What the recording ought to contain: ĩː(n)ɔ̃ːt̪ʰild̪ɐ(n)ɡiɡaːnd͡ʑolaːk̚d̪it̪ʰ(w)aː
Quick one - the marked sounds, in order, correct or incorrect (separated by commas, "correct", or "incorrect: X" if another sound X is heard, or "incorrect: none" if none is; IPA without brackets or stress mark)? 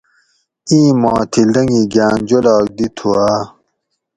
incorrect: m, incorrect: ŋ, incorrect: u